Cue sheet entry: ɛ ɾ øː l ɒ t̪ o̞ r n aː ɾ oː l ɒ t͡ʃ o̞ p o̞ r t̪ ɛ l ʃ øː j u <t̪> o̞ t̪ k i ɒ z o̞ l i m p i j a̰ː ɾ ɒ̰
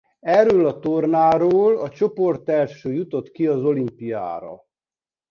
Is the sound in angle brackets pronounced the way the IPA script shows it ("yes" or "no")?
yes